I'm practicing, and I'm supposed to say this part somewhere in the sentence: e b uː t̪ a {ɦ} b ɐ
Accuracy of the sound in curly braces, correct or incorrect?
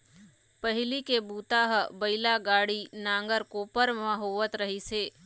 correct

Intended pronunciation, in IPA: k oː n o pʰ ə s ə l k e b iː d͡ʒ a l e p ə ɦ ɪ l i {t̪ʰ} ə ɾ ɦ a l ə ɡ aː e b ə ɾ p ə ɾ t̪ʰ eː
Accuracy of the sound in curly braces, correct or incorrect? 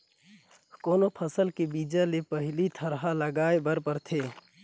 correct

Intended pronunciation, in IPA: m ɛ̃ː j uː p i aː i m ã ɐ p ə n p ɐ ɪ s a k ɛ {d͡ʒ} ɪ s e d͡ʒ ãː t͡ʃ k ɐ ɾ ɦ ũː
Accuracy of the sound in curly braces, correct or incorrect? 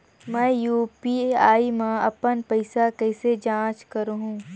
incorrect: none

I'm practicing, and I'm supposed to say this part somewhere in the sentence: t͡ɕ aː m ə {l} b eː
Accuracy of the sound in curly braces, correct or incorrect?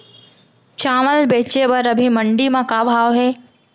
correct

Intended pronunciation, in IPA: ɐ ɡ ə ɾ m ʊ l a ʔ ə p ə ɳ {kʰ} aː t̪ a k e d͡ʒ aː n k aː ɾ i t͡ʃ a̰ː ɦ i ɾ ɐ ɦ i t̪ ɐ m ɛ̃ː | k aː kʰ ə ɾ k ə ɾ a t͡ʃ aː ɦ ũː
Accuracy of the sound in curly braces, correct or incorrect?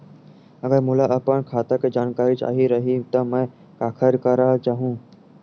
correct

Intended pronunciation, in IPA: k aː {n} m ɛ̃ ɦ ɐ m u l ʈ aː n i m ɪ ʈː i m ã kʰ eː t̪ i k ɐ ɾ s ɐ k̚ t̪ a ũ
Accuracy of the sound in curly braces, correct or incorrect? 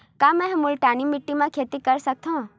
incorrect: none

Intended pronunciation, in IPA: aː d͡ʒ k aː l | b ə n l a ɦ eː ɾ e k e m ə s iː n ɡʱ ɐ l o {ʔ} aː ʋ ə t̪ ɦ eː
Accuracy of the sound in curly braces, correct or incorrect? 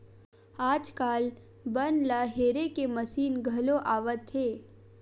correct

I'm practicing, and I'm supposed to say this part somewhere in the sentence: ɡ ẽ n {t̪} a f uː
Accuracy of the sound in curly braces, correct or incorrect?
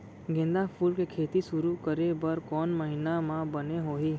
incorrect: d̪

